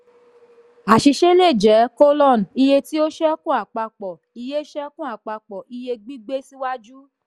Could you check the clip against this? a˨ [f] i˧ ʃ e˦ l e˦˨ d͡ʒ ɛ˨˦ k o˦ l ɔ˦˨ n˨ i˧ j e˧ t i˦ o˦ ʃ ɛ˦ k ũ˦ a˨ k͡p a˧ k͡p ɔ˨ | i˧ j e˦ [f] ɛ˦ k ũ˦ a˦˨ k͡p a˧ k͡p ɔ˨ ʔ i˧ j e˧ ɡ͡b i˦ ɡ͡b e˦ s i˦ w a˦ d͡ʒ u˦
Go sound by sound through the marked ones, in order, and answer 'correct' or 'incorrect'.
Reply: incorrect, incorrect

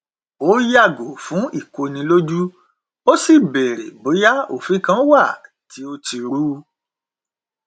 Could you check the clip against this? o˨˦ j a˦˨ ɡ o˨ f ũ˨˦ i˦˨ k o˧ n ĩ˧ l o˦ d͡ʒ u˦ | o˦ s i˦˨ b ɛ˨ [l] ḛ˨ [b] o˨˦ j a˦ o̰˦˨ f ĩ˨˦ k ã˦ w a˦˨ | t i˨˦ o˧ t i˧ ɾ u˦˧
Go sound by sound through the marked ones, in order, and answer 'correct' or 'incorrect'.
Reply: incorrect, correct

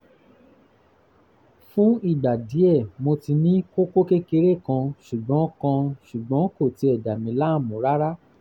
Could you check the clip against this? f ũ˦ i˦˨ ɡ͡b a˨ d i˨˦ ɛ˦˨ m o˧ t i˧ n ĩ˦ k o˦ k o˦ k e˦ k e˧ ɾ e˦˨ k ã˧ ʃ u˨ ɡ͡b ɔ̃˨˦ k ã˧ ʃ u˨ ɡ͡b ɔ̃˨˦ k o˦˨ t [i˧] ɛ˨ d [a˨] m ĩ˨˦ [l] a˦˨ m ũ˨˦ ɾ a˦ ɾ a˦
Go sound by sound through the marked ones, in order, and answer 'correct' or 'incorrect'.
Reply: correct, correct, correct

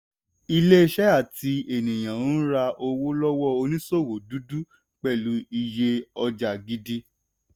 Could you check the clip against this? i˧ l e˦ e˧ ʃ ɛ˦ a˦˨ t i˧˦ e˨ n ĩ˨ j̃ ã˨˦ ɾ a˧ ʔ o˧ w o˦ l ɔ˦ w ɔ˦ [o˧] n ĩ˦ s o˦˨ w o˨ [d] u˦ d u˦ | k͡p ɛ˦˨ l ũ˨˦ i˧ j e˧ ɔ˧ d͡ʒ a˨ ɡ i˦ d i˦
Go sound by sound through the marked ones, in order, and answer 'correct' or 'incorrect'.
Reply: correct, correct

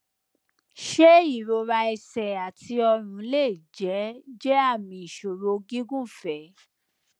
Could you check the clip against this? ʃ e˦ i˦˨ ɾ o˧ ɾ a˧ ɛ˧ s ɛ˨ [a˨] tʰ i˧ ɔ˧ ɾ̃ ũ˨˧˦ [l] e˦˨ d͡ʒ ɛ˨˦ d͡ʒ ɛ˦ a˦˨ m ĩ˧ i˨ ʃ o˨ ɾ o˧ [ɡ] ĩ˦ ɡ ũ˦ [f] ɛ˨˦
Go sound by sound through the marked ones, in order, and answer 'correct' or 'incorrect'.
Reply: correct, correct, correct, correct

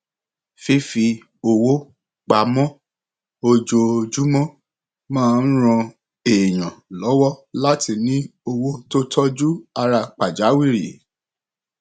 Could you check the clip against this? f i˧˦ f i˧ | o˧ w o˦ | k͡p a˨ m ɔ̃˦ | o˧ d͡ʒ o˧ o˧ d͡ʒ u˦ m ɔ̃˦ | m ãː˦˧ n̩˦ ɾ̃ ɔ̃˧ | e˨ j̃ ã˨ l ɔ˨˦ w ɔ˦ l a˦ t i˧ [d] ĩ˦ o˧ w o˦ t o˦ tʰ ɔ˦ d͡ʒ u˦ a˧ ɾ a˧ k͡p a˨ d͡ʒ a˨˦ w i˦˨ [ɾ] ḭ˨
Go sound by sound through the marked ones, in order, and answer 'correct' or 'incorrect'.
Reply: incorrect, correct

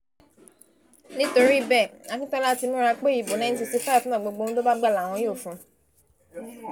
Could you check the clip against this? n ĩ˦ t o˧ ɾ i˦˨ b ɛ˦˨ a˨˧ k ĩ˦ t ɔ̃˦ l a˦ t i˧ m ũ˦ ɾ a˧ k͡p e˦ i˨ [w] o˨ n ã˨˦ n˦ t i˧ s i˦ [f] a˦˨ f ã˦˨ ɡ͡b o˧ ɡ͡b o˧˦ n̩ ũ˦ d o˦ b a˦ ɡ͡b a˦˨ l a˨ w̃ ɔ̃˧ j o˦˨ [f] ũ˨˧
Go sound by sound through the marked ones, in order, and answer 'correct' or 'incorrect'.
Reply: incorrect, correct, correct

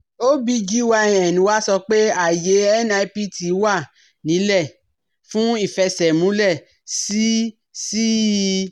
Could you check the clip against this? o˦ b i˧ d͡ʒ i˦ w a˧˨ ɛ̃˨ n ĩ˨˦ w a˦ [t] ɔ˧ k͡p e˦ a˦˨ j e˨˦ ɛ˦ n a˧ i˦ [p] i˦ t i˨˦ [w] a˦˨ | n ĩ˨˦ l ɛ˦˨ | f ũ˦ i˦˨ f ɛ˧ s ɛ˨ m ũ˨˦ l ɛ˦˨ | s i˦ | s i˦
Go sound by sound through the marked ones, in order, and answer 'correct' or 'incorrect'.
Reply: incorrect, correct, correct

